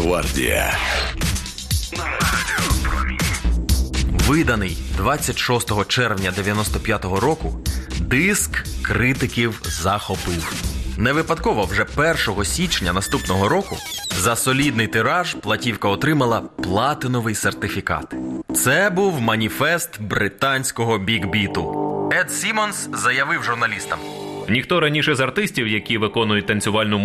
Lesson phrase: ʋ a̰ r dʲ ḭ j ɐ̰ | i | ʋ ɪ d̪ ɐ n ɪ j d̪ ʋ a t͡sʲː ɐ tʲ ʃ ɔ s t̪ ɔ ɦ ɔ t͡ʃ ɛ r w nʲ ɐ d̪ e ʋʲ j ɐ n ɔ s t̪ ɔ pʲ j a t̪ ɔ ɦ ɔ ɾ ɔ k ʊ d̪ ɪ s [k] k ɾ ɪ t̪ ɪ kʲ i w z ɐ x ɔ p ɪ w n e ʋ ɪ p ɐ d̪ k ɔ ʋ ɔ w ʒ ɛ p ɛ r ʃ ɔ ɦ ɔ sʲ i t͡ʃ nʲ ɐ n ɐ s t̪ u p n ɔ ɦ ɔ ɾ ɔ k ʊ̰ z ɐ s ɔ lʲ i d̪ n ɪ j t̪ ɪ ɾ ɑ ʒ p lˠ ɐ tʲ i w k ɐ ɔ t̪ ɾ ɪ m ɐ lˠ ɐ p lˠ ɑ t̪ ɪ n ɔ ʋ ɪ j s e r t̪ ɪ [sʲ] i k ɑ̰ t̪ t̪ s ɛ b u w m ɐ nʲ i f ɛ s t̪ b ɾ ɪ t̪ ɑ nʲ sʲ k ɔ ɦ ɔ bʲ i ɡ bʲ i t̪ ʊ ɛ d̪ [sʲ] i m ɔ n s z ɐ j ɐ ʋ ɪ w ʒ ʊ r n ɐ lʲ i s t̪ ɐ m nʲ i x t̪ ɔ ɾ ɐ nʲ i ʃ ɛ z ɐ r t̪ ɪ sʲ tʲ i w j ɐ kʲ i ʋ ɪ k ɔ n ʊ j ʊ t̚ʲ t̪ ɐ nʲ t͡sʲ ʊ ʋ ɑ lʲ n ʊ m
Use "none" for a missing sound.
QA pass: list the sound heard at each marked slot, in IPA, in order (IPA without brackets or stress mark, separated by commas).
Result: k, fʲ, sʲ